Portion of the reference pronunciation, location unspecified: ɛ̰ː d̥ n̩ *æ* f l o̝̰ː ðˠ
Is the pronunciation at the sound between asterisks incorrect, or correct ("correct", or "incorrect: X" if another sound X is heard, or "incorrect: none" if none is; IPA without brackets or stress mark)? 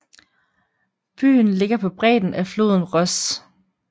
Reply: correct